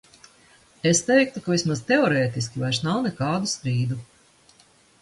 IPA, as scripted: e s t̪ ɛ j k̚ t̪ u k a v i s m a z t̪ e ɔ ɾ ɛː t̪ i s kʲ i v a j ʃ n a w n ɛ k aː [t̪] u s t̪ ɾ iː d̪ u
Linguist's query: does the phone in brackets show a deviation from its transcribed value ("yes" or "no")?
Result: yes